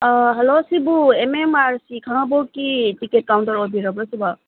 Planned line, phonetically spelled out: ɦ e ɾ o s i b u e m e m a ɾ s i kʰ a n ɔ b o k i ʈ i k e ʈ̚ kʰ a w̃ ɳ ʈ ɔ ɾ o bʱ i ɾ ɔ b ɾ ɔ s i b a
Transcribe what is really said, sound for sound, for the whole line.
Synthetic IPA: ɦ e l o s i b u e m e m a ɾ s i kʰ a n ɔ b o k i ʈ i k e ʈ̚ k a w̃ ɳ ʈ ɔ ɾ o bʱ i ɾ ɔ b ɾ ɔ s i b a